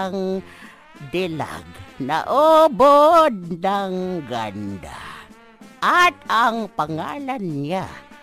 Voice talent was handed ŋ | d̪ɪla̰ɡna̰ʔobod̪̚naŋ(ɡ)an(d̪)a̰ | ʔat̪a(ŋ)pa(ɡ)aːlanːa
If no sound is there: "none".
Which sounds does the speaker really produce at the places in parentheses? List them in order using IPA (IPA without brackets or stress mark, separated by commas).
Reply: ɡ, d̪, ŋ, ŋ